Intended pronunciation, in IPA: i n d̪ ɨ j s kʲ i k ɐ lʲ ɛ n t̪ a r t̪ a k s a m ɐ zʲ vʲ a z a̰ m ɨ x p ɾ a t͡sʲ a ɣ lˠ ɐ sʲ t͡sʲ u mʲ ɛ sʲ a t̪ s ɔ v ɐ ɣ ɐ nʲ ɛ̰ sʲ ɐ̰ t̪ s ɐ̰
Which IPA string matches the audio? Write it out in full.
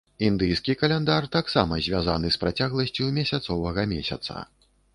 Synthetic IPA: i n d̪ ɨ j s kʲ i k ɐ lʲ ɛ n d̪ a r t̪ a k s a m ɐ zʲ vʲ a z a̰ n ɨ s p ɾ a t͡sʲ a ɣ lˠ ɐ sʲ t͡sʲ u mʲ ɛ sʲ a t̪ s ɔ v ɐ ɣ ɐ mʲ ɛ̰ sʲ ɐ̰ t̪ s ɐ̰